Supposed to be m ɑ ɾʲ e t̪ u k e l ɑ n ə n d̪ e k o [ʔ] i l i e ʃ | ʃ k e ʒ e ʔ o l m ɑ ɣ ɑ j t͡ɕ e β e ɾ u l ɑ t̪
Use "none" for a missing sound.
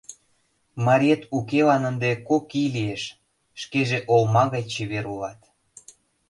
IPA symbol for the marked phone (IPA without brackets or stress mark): k